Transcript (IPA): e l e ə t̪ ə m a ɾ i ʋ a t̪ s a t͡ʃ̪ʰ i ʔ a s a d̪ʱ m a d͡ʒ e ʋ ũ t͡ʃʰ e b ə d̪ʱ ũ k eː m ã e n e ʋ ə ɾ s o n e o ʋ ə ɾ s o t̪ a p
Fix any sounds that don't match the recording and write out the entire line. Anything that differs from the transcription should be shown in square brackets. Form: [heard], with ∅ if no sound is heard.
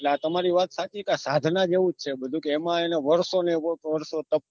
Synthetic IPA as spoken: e l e [a] t̪ ə m a ɾ i ʋ a t̪ s a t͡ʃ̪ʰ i [k] a s a d̪ʱ [n] a d͡ʒ e ʋ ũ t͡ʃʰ e b ə d̪ʱ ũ k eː m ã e n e ʋ ə ɾ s o n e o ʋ ə ɾ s o t̪ [ə] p